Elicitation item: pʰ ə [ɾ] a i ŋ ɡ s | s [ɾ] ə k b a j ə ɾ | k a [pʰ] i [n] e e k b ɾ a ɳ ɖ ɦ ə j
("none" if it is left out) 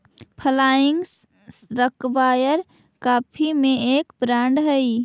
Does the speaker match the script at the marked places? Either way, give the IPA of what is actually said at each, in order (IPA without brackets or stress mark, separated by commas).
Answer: l, ɾ, pʰ, m